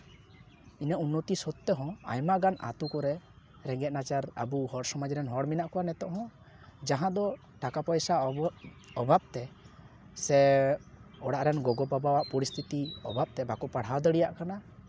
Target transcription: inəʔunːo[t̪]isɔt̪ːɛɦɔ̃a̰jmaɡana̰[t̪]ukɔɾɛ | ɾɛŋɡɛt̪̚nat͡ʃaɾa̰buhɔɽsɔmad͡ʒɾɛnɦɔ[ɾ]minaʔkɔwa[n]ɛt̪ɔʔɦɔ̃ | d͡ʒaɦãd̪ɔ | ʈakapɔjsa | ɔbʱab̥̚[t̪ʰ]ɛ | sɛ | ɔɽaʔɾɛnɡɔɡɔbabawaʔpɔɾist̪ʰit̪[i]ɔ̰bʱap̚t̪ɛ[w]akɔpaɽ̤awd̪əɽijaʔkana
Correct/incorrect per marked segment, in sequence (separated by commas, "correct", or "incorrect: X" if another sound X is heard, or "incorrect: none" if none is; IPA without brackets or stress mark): correct, correct, incorrect: ɽ, correct, incorrect: t̪, correct, incorrect: b